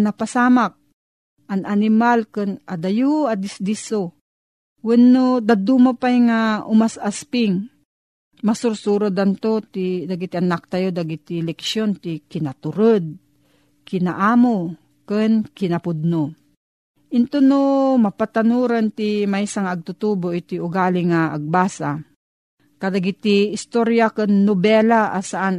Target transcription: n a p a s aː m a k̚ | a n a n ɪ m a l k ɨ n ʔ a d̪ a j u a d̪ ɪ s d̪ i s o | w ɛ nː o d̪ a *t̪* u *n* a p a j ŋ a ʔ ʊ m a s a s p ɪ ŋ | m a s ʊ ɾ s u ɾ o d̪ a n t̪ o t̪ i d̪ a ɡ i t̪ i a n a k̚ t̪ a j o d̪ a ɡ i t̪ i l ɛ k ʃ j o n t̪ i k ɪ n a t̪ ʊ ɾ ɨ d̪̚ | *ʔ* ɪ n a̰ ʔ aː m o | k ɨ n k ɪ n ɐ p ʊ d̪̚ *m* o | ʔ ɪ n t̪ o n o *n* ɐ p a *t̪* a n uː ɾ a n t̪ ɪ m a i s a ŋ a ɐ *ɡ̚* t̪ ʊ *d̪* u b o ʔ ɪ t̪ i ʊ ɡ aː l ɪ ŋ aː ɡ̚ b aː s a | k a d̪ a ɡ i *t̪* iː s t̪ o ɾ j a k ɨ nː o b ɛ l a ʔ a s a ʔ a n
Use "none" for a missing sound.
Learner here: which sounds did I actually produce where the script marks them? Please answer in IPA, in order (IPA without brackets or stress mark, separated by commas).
d̪, m, k, n, m, t̪, ɡ̚, t̪, t̪